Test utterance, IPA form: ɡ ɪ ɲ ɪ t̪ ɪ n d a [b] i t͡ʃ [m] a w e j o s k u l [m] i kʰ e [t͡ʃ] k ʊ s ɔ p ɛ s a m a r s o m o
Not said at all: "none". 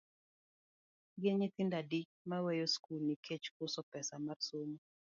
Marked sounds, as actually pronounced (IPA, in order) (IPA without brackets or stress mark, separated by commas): d, m, n, t͡ʃ